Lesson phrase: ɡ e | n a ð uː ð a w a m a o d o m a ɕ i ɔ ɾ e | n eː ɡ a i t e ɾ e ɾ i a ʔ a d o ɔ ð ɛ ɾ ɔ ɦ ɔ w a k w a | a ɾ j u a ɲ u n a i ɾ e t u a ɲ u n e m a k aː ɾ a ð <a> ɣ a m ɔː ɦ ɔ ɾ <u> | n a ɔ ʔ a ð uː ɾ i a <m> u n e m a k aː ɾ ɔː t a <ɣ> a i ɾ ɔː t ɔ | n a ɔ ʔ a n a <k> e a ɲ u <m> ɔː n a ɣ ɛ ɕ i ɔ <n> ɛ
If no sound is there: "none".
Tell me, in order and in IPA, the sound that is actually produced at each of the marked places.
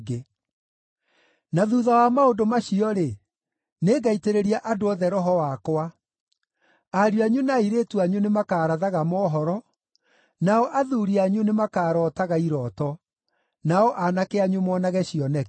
a, ɔ, ɲ, ɣ, k, m, n

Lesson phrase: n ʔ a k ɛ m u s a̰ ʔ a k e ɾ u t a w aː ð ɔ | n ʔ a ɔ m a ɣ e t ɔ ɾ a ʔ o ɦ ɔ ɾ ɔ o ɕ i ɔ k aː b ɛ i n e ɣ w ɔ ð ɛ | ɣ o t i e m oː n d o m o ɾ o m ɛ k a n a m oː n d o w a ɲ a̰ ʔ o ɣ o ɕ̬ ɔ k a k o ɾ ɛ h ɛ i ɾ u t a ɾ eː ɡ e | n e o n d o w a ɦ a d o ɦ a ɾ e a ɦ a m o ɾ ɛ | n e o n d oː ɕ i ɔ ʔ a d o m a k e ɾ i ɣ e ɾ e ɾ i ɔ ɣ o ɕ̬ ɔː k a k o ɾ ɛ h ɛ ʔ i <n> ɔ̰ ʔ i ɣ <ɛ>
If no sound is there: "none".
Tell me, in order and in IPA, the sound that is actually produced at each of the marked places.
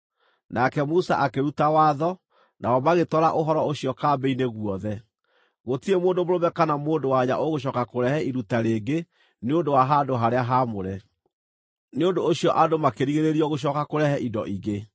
d, e

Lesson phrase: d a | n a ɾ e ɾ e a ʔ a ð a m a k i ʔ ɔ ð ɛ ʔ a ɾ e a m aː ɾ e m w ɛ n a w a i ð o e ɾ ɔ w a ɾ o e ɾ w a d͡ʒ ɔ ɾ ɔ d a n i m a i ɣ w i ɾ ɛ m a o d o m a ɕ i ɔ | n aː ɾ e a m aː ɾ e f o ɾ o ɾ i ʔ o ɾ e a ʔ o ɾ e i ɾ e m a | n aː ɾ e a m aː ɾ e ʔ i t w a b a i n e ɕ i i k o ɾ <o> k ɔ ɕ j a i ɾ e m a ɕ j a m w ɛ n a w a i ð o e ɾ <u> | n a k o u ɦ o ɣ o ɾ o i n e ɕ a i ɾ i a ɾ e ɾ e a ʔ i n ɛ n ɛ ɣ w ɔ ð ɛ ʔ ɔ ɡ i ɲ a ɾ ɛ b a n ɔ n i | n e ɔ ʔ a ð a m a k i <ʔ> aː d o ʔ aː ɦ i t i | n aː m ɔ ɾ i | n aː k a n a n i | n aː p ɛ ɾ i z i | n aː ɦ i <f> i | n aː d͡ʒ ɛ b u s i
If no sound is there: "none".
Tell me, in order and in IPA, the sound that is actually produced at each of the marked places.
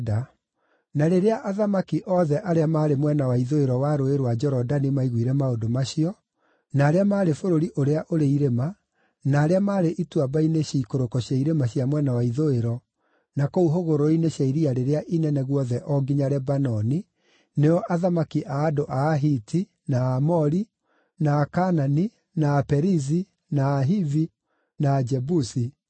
o, ɔ, ʔ, v

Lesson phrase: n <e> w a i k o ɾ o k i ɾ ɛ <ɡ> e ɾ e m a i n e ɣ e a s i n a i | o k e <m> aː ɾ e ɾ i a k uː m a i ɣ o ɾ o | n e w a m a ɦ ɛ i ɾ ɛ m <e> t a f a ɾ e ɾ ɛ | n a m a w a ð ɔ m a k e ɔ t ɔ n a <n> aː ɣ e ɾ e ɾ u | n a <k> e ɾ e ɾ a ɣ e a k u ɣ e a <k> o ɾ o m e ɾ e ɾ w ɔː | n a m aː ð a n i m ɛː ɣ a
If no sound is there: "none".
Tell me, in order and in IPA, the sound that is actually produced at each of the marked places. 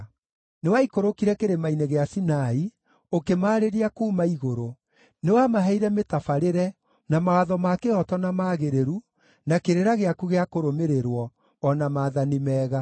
e, k, m, e, m, k, k

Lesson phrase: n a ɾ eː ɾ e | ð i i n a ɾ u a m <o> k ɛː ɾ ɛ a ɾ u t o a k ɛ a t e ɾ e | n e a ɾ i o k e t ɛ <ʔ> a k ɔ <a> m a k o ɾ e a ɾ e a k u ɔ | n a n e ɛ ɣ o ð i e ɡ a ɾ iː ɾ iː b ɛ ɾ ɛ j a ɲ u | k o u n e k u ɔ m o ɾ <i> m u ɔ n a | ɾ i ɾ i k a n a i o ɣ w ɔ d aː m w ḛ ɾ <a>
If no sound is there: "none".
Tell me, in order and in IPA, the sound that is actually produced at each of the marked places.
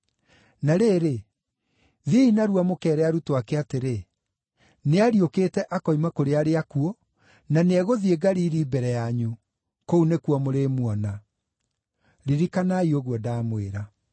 o, ʔ, i, e, a

